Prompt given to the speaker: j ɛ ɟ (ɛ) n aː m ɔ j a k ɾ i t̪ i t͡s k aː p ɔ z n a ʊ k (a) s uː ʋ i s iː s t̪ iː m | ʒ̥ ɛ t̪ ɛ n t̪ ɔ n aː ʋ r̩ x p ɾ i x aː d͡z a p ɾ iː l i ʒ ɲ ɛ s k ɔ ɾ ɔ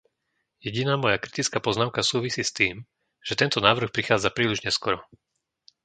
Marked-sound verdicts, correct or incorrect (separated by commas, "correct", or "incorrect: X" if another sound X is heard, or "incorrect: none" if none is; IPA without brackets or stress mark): incorrect: i, correct